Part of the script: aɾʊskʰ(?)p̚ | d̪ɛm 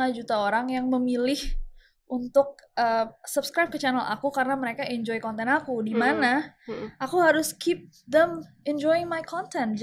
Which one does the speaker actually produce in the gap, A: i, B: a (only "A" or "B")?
A